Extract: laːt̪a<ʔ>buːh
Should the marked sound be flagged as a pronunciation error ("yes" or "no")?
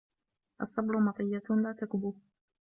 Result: yes